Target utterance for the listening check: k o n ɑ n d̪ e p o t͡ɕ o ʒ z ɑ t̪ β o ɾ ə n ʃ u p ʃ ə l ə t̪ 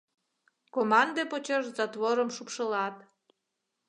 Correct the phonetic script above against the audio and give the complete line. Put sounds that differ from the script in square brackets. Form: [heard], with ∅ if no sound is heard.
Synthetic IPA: k o [m] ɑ n d̪ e p o t͡ɕ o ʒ z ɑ t̪ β o ɾ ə [m] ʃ u p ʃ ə l [ɑ] t̪